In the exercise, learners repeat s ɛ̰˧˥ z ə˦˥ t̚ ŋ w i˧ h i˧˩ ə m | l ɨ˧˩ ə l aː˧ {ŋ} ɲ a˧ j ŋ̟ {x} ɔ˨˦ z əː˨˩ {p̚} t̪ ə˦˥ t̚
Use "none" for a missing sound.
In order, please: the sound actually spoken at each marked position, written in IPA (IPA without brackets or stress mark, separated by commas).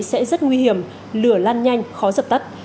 n, x, p̚